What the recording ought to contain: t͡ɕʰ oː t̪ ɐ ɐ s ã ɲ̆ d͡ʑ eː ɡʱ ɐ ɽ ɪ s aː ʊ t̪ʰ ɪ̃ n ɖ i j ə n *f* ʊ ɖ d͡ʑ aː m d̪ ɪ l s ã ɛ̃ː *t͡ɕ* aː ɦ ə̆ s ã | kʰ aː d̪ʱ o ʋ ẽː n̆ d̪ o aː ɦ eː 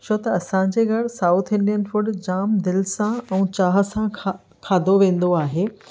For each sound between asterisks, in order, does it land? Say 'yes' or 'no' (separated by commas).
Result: yes, yes